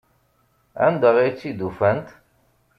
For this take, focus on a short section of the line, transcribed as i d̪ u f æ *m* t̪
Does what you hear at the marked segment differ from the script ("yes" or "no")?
yes